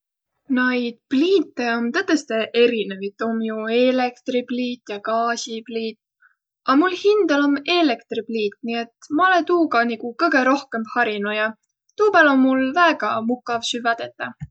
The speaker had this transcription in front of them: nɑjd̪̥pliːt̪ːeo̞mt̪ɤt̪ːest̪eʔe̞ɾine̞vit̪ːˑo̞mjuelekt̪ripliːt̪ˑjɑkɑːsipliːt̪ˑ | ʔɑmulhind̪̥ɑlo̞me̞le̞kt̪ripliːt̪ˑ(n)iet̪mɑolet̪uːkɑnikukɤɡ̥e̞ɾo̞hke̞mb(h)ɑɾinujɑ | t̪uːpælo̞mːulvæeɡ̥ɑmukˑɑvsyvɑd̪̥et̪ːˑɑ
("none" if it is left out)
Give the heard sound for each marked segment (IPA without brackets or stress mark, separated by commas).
n, h